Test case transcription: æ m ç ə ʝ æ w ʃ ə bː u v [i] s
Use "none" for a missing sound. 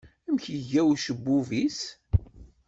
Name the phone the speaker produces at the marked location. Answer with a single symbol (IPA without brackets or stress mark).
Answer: i